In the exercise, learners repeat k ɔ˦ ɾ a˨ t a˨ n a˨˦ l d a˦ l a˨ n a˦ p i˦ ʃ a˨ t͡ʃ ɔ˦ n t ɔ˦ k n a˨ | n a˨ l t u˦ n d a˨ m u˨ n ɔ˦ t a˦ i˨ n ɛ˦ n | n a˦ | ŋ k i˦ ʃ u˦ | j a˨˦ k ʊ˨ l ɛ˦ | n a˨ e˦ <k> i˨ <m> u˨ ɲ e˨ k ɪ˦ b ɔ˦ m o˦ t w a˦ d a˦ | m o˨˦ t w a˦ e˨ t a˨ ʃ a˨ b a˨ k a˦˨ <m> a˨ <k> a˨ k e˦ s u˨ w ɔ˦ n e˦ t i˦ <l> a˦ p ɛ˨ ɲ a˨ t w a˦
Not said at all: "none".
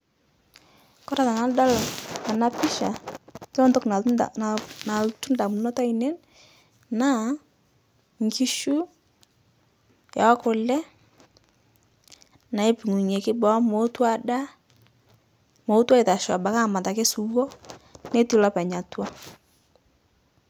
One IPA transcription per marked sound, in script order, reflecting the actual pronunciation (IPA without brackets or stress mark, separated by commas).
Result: p, ŋ, m, t, l